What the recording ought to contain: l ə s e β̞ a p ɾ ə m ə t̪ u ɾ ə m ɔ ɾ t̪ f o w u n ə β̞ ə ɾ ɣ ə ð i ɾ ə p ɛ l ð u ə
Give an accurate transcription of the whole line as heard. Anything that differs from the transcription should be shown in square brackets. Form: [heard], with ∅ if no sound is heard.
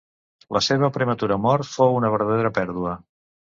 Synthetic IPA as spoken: l ə s e β̞ [ə] p ɾ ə m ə t̪ u ɾ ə m ɔ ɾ t̪ f o w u n ə β̞ ə ɾ [ð] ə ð [e] ɾ ə p ɛ [ɾ] ð u ə